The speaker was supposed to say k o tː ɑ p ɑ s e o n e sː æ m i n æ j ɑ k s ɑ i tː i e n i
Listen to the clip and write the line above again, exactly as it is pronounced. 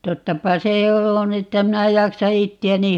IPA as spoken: t o tː ɑ p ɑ s e o n e tː æ m i n æ j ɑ k s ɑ i tː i æ n i